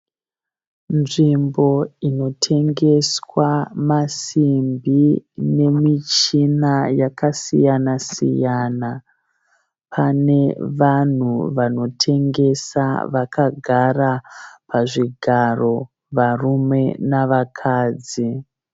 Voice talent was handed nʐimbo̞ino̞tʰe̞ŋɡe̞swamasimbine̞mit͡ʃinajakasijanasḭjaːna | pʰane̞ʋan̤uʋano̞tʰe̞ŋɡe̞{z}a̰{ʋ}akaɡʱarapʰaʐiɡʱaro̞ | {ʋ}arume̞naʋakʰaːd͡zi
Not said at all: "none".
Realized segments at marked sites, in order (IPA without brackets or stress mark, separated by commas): s, ʋ, ʋ